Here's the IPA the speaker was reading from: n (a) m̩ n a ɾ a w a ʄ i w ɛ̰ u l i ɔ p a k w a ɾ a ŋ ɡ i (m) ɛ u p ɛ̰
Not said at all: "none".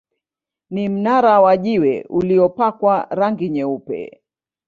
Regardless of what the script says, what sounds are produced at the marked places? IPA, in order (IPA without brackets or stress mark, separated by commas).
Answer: i, ɲ